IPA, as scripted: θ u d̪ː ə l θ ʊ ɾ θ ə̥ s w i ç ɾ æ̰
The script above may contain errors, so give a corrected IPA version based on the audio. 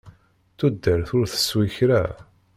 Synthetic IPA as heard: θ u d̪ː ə ɾ θ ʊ ɾ θ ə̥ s w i ç ɾ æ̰

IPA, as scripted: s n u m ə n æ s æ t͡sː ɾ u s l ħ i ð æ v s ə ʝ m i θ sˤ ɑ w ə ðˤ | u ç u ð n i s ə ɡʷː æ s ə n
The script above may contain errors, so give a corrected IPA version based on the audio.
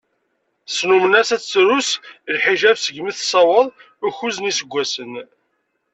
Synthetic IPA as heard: s n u m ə n æ s æ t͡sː ɾ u s l ħ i ʒ æ v s ə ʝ m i θ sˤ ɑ w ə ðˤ | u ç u z n i s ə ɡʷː æ s ə n

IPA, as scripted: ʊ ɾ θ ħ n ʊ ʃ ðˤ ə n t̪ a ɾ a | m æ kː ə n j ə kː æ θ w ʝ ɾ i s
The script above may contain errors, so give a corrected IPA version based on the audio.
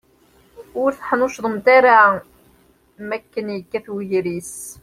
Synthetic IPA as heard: ʊ ɾ θ ħ n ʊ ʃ ðˤ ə m t̪ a ɾ a | m æ kː ə n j ə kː æ θ w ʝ ɾ i s

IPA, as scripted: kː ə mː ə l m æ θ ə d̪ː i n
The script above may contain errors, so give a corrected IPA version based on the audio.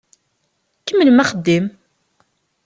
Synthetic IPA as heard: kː ə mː ə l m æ χ ə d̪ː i m

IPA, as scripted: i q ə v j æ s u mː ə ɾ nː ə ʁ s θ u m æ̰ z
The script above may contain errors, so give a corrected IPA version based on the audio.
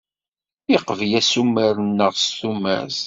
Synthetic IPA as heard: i q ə v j æ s u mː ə ɾ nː ə ʁ s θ u m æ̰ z

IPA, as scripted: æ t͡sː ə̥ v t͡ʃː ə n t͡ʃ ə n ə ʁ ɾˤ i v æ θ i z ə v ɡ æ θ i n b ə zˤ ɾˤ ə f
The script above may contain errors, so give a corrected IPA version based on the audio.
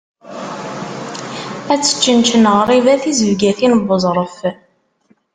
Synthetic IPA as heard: æ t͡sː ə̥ t͡ʃː ə n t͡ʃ ə n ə ʁ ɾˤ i v æ θ i z ə v ɡ æ θ i n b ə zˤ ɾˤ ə f

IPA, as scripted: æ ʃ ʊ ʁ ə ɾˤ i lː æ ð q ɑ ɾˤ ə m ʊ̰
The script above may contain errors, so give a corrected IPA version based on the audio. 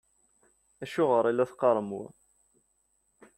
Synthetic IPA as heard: æ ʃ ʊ ʁ ə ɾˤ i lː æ θ q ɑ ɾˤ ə m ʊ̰

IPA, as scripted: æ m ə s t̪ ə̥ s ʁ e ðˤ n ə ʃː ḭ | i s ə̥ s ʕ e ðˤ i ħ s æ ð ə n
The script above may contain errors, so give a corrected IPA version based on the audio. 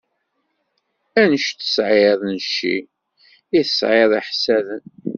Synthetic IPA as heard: æ n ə ʃ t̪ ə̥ s ʕ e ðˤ n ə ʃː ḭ | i θ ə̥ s ʕ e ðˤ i ħ s æ ð ə n

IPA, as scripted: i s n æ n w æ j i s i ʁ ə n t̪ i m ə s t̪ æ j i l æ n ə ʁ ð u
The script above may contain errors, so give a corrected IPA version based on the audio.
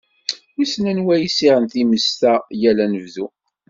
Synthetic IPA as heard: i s n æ n w æ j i s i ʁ ə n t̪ i m ə s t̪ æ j æ l æ n ə v ð u

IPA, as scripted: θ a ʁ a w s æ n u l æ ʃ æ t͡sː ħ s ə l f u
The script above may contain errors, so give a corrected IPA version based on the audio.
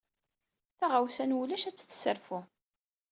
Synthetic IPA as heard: θ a ʁ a w s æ n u l æ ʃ æ t͡sː θ s ə ɾ f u

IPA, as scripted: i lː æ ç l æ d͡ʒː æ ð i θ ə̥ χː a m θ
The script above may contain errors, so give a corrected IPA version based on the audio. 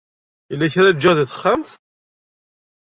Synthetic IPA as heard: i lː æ ç ɾ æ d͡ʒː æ ð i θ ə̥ χː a m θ

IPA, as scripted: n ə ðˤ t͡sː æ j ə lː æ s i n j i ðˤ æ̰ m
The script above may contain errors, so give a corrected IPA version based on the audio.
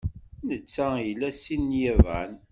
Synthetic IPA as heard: n ə t͡sː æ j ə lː æ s i n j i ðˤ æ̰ n

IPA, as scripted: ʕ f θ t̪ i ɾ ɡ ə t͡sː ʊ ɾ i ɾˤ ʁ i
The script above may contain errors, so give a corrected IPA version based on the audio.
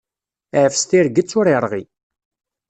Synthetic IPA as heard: ʕ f s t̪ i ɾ ɡ ə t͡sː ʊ ɾ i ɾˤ ʁ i

